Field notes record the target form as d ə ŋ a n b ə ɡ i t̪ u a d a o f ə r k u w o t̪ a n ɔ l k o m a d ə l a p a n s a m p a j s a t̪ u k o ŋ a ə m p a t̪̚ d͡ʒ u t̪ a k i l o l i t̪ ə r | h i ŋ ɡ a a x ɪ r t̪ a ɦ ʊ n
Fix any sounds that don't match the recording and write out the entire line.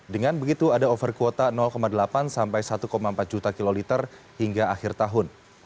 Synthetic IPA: d ə ŋ a n b ə ɡ i t̪ u a d a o f ə r k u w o t̪ a n ɔ l k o m a d ə l a p a n s a m p a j s a t̪ u k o m a ə m p a t̪̚ d͡ʒ u t̪ a k i l o l i t̪ ə r | h i ŋ ɡ a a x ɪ r t̪ a ɦ ʊ n